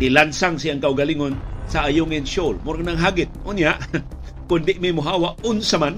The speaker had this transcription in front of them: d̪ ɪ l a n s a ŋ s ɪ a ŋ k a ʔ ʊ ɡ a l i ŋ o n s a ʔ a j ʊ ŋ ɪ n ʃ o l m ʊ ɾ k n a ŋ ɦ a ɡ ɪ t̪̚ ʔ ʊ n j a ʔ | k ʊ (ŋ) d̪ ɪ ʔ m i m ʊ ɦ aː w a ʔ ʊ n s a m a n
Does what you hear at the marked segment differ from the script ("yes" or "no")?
yes